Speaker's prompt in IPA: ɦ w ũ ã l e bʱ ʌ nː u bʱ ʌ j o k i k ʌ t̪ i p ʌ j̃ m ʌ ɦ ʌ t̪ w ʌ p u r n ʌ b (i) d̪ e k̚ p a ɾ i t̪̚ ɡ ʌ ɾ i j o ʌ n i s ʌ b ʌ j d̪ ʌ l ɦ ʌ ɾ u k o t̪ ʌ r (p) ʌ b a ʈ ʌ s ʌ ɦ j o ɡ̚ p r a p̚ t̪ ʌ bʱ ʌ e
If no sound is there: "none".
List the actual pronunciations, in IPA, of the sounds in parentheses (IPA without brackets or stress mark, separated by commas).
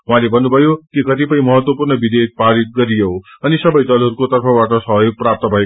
i, pʰ